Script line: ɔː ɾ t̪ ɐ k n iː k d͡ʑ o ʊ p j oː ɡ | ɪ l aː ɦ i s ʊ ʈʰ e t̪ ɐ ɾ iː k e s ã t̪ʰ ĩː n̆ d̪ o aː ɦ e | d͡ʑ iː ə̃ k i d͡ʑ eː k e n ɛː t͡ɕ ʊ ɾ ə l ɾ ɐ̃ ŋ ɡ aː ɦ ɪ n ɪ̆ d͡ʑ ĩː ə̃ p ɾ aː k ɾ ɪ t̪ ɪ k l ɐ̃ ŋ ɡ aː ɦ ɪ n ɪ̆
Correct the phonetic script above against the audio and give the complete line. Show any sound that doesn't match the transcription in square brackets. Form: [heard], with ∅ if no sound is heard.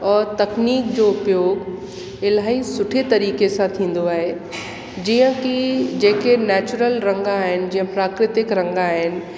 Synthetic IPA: ɔː ɾ t̪ ɐ k n iː k d͡ʑ o ʊ p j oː ɡ | ɪ l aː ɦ i s ʊ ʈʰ e t̪ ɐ ɾ iː k e s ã t̪ʰ ĩː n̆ d̪ o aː ɦ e | d͡ʑ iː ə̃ k i d͡ʑ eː k e n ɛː t͡ɕ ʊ ɾ ə l ɾ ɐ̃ ŋ ɡ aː ɦ ɪ n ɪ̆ d͡ʑ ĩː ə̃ p ɾ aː k ɾ ɪ t̪ ɪ k [ɾ] ɐ̃ ŋ ɡ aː ɦ ɪ n ɪ̆

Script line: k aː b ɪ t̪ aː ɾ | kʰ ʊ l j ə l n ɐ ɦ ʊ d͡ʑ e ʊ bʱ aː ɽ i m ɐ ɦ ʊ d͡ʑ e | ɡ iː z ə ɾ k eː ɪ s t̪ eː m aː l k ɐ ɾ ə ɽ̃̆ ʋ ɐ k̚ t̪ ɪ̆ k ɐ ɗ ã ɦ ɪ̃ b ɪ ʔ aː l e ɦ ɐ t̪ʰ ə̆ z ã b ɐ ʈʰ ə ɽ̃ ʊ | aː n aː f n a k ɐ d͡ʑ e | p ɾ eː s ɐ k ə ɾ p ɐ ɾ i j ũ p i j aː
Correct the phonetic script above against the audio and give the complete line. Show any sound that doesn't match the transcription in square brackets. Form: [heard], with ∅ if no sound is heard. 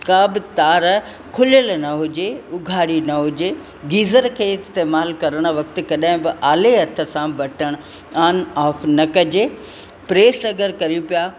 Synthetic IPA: k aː b ɪ t̪ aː ɾ | kʰ ʊ l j ə l n ɐ ɦ ʊ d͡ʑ e ʊ [ɡʱ] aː ɽ i [n] ɐ ɦ ʊ d͡ʑ e | ɡ iː z ə ɾ [kʰ] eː ɪ s t̪ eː m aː l k ɐ ɾ ə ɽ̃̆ ʋ ɐ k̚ t̪ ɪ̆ k ɐ ɗ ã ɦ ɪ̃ b ɪ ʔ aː l e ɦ ɐ t̪ʰ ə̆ [s] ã b ɐ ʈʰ ə ɽ̃ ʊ | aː n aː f n [ɐ] k ɐ d͡ʑ e | p ɾ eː s ɐ [ɡ] ə ɾ [k] ɐ ɾ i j ũ p i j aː

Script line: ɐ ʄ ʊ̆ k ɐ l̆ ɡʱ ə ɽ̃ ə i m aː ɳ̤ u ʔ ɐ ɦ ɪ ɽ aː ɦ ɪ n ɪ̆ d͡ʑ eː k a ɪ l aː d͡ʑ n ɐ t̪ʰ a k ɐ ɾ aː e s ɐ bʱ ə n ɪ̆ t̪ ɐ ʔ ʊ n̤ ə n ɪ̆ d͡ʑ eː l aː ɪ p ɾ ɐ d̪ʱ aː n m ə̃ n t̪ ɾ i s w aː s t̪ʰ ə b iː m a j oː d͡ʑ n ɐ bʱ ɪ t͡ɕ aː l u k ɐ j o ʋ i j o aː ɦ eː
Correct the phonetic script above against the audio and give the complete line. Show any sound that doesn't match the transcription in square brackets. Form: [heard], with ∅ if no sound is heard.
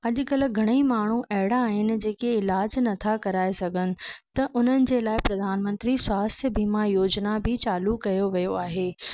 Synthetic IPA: ɐ ʄ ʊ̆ k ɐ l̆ ɡʱ [ɐ] ɽ̃ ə i m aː ɳ̤ u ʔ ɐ ɦ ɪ ɽ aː ɦ ɪ n ɪ̆ d͡ʑ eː k [e] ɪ l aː d͡ʑ n ɐ t̪ʰ a k ɐ ɾ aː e s ɐ [ɡʱ] ə n ɪ̆ t̪ ɐ ʔ ʊ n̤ ə n ɪ̆ d͡ʑ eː l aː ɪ p ɾ ɐ d̪ʱ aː n m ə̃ n t̪ ɾ i s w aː s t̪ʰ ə b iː m a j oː d͡ʑ n [a] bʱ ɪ t͡ɕ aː l u k ɐ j o ʋ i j o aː ɦ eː

